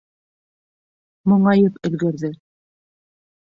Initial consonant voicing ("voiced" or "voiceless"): voiced